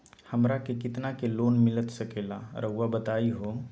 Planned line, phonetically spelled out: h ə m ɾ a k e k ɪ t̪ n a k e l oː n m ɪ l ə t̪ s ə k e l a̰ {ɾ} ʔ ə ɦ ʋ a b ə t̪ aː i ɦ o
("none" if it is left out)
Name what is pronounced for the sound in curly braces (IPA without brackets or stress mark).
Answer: ɾ